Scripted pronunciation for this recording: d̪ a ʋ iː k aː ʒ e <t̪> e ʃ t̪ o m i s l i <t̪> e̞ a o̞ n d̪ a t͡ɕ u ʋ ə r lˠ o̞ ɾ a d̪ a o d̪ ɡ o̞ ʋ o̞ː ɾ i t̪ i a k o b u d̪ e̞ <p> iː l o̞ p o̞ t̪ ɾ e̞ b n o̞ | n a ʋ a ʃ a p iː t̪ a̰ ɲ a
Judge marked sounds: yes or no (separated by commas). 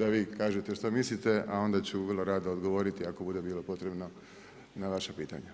yes, yes, no